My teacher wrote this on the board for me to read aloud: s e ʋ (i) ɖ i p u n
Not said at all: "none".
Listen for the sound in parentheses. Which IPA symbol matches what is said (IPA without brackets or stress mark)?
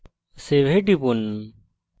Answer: e